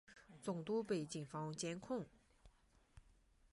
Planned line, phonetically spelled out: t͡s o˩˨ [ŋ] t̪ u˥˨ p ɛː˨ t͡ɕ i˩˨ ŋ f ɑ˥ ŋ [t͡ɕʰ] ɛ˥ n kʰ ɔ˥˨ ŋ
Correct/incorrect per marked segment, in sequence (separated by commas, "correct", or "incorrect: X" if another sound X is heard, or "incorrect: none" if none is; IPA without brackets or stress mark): correct, incorrect: t͡ɕ